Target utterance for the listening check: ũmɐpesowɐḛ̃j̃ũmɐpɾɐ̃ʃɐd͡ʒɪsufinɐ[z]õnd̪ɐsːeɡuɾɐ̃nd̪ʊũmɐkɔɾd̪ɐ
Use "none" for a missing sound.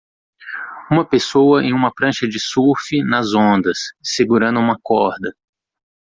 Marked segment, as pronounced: z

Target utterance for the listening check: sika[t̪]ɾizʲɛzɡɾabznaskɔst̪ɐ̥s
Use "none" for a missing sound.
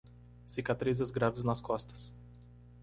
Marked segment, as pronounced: t̪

